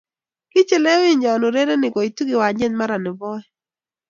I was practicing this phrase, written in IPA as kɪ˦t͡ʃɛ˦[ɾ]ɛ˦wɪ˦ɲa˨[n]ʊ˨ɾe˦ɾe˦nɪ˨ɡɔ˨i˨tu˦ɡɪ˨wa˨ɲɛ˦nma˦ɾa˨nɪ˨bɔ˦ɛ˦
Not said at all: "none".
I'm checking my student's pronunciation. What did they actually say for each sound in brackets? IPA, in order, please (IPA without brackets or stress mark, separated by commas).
l, n